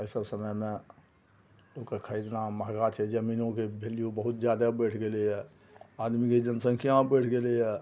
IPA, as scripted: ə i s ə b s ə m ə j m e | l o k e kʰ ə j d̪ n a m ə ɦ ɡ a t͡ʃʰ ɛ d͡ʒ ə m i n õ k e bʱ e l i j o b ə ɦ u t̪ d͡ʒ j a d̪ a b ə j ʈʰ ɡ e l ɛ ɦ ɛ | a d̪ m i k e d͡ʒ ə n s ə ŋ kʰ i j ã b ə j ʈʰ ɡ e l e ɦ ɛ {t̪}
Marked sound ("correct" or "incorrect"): incorrect